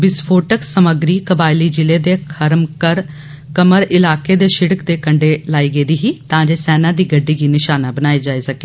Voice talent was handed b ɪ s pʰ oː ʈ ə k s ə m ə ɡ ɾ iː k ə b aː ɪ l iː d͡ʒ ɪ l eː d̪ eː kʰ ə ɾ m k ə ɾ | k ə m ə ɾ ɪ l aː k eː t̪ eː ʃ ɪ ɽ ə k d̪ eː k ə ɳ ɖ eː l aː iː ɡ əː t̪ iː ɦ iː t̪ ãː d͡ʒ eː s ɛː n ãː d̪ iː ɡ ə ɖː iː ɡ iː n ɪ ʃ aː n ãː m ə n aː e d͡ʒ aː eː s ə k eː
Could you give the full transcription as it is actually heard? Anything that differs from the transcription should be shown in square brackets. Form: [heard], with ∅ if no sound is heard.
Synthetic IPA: b ɪ s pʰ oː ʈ ə k s ə m ə ɡ ɾ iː k ə b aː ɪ l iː d͡ʒ ɪ l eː d̪ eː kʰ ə ɾ m k ə ɾ | k ə m ə ɾ ɪ l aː k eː [d̪] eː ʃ ɪ ɽ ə k d̪ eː k ə ɳ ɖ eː l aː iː ɡ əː [d̪] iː ɦ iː t̪ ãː d͡ʒ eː s ɛː n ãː d̪ iː ɡ ə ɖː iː ɡ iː n ɪ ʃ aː n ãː [b] ə n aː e d͡ʒ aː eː s ə k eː